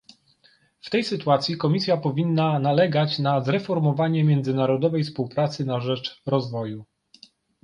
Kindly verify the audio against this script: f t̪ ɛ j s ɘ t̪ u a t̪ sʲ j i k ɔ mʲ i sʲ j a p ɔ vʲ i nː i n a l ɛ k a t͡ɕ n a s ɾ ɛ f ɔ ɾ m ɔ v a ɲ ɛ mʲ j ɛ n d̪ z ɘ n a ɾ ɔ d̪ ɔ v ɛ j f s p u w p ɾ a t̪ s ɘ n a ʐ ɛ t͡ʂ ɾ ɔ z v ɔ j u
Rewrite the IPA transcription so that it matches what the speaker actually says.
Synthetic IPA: f t̪ ɛ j s ɘ t̪ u a t̪ sʲ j i k ɔ mʲ i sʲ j a p ɔ vʲ i nː a n a l ɛ ɡ a t͡ɕ n a z ɾ ɛ f ɔ ɾ m ɔ v a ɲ ɛ mʲ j ɛ n d̪ z ɘ n a ɾ ɔ d̪ ɔ v ɛ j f s p u w p ɾ a t̪ s ɘ n a ʐ ɛ t͡ʂ ɾ ɔ z v ɔ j u